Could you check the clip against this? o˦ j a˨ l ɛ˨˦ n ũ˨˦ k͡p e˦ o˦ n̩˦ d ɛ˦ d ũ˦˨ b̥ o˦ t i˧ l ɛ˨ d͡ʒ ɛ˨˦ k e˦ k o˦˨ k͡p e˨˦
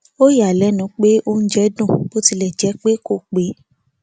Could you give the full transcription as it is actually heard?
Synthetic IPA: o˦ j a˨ l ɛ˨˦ n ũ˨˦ k͡p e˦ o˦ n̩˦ d͡ʒ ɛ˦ d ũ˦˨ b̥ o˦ t i˧ l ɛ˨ d͡ʒ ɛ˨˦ k͡p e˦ k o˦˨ k͡p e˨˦